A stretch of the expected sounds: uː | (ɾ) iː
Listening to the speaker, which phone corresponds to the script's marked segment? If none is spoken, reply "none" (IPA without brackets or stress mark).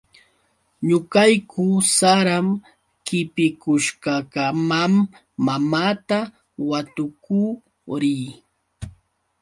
ɾ